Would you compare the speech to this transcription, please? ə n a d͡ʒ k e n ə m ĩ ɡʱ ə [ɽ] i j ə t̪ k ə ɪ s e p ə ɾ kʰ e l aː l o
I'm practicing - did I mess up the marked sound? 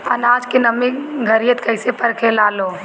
yes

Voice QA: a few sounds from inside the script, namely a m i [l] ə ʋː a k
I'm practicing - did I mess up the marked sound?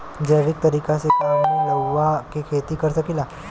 no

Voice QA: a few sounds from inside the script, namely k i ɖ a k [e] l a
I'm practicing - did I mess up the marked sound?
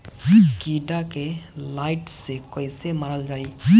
no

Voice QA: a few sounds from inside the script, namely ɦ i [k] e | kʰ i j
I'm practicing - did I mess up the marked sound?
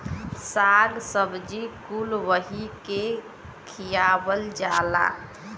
no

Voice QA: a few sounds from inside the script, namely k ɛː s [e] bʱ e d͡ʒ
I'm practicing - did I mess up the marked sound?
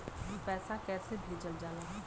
no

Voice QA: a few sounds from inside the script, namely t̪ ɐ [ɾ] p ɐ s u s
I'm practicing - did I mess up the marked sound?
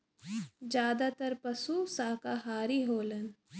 no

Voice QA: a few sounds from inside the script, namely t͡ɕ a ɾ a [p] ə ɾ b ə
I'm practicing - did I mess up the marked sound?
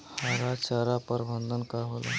no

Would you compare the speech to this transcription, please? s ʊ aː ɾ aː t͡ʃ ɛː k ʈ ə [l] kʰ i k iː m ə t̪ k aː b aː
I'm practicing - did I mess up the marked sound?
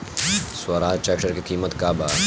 yes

